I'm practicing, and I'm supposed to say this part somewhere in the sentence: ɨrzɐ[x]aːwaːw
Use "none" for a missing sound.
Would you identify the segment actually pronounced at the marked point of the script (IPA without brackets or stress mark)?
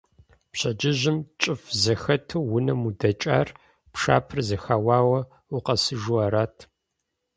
x